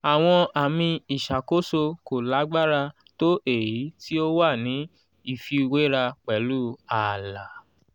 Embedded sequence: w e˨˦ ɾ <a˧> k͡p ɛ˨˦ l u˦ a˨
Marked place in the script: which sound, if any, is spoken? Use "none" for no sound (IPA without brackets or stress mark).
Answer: a˧